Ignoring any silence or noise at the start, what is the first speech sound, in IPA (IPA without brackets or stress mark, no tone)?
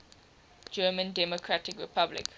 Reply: d͡ʒ